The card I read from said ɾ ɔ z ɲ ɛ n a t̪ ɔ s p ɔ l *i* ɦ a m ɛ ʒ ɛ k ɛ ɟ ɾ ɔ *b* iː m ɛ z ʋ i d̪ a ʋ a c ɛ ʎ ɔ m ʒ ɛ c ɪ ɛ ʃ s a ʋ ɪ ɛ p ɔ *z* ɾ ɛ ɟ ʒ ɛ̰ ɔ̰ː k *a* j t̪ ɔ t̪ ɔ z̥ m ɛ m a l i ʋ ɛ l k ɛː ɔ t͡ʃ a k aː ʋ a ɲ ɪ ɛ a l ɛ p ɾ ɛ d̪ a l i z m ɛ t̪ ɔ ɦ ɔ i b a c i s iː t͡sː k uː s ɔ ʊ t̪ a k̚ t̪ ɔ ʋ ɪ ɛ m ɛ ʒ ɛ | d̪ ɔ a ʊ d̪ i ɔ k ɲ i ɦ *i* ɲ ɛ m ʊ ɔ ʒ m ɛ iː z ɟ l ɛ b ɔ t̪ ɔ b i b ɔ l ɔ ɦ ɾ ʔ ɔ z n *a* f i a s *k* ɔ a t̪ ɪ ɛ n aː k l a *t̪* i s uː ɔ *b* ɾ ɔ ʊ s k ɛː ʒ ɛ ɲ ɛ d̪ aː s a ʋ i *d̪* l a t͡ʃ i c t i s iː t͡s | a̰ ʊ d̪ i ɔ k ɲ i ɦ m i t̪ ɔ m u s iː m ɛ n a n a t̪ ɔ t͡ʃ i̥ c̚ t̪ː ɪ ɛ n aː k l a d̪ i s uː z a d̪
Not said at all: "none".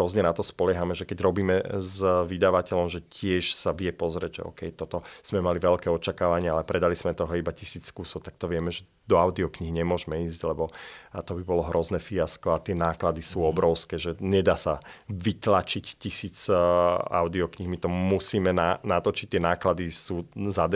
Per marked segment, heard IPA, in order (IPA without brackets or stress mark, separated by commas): ɛ, b, z, ɛ, i, ɛ, k, d̪, b, t̪